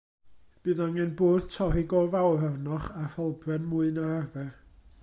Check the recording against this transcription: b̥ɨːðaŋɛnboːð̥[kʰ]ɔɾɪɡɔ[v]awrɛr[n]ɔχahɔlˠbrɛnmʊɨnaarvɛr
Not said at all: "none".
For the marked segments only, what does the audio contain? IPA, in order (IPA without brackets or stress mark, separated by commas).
tʰ, v, n